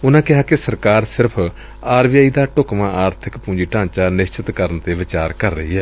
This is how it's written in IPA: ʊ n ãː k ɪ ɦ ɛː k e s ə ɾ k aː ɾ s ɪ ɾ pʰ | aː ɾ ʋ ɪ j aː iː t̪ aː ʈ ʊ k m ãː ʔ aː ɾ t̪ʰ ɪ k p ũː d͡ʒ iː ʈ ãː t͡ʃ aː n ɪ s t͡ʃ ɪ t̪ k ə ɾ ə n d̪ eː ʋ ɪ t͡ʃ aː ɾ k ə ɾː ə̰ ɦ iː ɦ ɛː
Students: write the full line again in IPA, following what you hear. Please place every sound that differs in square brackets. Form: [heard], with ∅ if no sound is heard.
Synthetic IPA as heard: ʊ n ãː k ɪ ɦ [aː] k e s ə ɾ k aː ɾ s ɪ ɾ pʰ | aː ɾ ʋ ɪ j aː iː [d̪] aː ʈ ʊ k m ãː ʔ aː ɾ t̪ʰ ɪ k p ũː d͡ʒ iː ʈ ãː t͡ʃ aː n ɪ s t͡ʃ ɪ t̪ k ə ɾ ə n [t̪] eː ʋ ɪ t͡ʃ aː ɾ k ə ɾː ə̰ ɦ iː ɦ ɛː